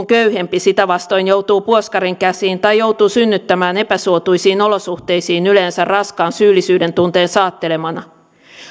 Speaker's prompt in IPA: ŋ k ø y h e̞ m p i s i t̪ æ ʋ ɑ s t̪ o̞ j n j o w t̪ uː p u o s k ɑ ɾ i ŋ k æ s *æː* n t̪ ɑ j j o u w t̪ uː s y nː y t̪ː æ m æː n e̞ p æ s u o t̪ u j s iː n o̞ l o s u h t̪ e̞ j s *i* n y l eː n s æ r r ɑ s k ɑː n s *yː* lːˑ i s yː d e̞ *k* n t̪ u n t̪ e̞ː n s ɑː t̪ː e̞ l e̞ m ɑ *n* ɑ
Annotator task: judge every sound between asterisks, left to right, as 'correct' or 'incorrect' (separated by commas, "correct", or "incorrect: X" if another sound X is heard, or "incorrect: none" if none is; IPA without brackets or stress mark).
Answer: incorrect: iː, incorrect: iː, correct, incorrect: none, correct